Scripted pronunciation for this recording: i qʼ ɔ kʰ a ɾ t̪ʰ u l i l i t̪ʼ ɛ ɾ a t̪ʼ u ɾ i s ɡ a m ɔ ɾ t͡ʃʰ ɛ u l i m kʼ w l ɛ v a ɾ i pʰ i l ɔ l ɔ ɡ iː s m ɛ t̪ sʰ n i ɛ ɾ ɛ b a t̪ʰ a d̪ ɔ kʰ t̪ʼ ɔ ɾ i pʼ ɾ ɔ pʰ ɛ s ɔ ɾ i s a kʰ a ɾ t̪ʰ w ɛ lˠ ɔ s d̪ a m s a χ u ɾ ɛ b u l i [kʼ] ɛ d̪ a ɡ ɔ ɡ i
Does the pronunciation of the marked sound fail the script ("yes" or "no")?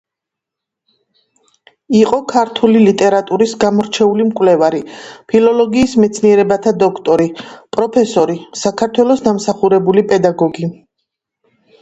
yes